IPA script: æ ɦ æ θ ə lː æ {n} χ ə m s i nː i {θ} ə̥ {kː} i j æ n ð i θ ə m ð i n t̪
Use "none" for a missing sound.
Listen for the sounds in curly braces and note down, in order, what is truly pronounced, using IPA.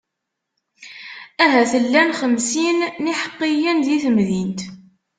n, ħ, qː

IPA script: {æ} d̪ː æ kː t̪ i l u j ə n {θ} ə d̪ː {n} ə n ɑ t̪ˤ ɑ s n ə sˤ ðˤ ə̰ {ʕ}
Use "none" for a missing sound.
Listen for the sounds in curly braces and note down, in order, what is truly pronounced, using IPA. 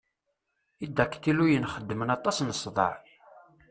i, χ, m, ʕ

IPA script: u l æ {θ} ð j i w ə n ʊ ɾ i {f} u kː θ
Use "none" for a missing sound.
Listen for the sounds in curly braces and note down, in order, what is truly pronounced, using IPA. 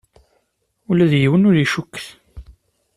none, ʃ

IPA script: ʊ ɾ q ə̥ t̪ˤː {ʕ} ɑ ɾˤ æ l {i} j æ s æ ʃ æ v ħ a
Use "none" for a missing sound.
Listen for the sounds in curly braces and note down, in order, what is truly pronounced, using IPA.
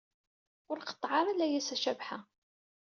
ʕ, æ

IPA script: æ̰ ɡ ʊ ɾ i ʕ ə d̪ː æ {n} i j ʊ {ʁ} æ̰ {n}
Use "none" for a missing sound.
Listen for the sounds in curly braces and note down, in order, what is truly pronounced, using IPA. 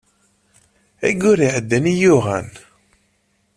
n, ʁ, n

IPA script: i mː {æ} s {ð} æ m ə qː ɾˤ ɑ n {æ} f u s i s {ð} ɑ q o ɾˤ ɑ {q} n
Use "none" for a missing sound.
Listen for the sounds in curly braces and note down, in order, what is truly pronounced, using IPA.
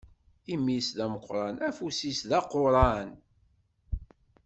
i, ð, æ, ð, none

